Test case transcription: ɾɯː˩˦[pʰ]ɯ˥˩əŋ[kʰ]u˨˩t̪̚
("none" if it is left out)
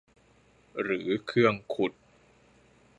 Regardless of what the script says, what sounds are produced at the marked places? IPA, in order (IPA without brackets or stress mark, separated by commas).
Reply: kʰ, kʰ